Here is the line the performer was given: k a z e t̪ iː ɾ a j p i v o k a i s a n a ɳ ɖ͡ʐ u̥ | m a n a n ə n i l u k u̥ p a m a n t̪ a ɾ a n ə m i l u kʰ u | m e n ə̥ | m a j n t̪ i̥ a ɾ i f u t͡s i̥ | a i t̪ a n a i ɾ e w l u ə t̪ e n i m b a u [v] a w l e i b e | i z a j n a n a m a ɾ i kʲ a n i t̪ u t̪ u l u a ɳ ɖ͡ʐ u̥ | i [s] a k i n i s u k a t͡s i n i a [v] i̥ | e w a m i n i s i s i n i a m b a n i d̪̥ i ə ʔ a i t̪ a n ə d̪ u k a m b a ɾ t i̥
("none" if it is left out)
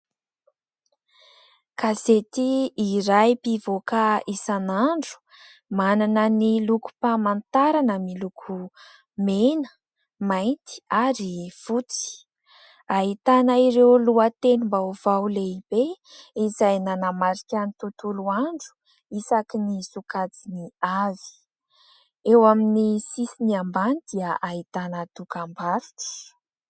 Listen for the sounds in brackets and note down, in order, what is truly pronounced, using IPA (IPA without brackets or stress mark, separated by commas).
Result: v, s, v